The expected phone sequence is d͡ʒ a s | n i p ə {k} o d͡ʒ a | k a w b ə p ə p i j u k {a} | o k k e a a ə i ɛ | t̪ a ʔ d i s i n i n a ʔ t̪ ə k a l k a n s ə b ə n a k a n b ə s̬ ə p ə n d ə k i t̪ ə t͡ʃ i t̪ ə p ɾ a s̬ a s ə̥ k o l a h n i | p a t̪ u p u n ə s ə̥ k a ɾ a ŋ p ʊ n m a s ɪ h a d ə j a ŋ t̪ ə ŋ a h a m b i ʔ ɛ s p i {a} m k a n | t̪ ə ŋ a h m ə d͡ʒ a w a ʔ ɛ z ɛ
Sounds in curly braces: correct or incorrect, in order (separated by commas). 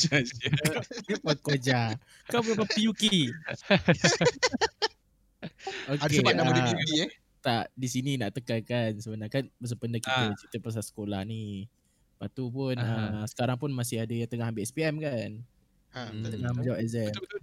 correct, incorrect, incorrect